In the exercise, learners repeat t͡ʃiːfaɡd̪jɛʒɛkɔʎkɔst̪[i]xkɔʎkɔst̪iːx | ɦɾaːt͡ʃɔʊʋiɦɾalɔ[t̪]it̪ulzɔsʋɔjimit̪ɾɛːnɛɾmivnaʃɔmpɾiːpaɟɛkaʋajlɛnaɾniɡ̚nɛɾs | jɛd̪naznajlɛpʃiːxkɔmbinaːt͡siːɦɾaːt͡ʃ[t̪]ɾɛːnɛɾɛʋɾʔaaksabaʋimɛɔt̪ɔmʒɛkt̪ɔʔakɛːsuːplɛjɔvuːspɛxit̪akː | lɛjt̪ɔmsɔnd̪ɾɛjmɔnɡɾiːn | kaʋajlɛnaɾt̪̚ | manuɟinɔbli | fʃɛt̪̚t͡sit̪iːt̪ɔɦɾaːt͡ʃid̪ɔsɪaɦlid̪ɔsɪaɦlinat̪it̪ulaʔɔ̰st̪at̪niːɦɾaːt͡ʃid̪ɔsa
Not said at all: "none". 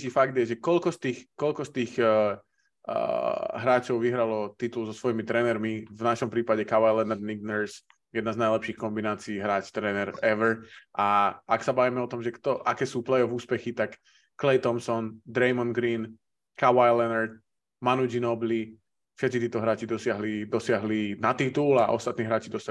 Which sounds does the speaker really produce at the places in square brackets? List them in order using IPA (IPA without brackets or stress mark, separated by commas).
iː, t̪, t̪